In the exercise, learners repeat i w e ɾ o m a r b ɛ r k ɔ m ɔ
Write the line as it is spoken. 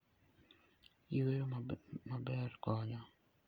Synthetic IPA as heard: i w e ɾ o m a b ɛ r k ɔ ɲ ɔ